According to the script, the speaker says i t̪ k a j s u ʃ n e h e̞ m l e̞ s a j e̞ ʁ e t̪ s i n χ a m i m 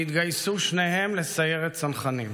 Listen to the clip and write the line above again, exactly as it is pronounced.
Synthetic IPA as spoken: i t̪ ɡ a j s u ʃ n e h e̞ m l e̞ s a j e̞ ʁ e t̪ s a n χ a n i m